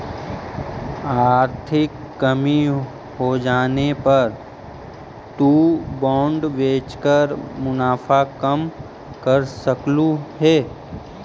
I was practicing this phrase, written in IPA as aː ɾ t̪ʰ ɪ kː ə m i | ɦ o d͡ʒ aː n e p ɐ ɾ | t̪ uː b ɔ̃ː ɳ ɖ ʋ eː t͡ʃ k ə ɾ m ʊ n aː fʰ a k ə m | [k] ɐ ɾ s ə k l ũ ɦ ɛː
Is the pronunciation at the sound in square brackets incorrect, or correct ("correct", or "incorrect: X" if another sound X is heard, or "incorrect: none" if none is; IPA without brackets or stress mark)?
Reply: correct